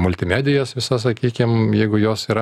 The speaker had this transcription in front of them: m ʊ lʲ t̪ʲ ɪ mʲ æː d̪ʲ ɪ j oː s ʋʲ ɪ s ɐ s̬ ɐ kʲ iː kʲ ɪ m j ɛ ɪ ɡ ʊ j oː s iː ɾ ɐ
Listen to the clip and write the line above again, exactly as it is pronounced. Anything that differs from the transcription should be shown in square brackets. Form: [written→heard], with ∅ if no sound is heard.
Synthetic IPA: m ʊ lʲ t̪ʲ ɪ mʲ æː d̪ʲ ɪ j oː s ʋʲ ɪ s ɐ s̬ ɐ kʲ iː kʲ ɪ m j ɛ ɪ ɡ ʊ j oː s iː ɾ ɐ